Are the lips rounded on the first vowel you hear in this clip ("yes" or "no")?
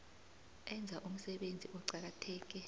no